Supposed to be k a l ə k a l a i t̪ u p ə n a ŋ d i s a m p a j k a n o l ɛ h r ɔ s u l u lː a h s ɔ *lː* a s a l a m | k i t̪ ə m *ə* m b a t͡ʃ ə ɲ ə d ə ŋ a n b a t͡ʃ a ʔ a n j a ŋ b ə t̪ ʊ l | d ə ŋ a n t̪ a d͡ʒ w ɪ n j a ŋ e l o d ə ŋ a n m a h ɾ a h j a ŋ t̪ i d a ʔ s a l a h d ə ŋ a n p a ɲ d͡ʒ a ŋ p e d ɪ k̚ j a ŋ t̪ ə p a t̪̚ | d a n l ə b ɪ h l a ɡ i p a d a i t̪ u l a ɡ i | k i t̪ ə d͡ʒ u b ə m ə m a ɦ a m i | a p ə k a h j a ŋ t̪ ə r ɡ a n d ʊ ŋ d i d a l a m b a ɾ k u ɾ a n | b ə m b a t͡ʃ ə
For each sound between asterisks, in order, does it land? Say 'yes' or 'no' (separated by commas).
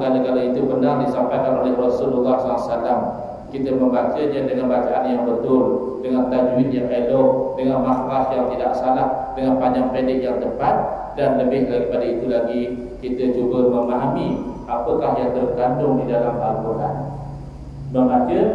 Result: no, yes